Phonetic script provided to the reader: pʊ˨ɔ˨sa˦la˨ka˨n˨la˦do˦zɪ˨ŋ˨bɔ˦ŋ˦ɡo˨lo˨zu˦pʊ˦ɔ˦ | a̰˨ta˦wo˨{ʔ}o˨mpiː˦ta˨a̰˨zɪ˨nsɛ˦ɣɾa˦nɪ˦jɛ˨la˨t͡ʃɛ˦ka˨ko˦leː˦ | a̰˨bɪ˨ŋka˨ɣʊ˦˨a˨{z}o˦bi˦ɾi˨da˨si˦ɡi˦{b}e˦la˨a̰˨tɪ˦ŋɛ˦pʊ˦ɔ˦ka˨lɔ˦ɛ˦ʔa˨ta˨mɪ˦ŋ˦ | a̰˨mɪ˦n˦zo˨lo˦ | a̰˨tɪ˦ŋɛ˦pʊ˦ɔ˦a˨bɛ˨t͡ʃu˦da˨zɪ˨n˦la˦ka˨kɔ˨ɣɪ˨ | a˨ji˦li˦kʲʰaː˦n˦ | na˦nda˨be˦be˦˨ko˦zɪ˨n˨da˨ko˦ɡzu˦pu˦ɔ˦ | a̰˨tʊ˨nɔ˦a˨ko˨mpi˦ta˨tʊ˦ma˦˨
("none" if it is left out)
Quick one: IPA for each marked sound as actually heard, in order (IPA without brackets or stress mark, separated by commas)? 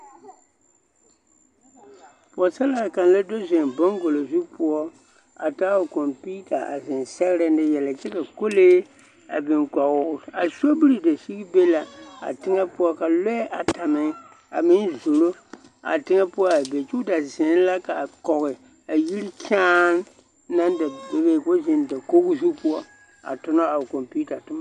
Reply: k, s, b